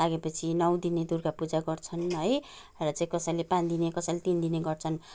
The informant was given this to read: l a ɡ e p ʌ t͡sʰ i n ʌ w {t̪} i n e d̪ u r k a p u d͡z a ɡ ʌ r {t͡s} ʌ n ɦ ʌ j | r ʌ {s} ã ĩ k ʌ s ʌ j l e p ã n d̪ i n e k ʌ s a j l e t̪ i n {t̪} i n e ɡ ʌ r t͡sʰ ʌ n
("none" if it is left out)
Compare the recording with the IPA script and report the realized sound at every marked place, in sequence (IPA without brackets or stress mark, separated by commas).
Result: d̪, t͡sʰ, t͡s, d̪